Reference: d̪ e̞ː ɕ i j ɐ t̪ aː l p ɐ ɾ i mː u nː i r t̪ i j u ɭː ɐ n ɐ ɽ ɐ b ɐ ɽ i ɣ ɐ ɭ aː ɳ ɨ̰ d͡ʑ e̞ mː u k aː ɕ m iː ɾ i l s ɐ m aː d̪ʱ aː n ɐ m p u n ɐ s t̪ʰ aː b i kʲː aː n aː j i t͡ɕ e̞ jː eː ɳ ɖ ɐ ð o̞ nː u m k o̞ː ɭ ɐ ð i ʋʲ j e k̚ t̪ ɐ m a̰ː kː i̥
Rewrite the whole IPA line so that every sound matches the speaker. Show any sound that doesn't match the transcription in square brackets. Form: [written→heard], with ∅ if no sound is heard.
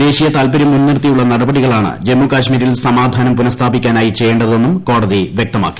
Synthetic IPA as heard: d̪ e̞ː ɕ i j ɐ t̪ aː l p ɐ ɾ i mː u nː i r t̪ i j u ɭː ɐ n ɐ ɽ ɐ b ɐ ɽ i ɣ ɐ ɭ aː ɳ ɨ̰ d͡ʑ e̞ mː u k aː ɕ m iː ɾ i l s ɐ m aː d̪ʱ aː n ɐ m p u n ɐ s t̪ʰ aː b i kʲː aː n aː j i t͡ɕ e̞ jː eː ɳ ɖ ɐ ð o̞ nː u m k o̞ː [ɭ→ɽ] ɐ ð i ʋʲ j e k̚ t̪ ɐ m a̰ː kː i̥